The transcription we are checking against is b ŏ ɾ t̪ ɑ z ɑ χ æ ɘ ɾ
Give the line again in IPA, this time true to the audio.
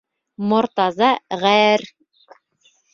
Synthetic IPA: m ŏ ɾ t̪ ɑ z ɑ ʁ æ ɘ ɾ